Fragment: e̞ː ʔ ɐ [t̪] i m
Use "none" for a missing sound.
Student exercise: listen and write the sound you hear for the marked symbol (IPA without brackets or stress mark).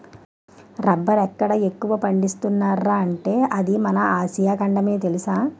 d̪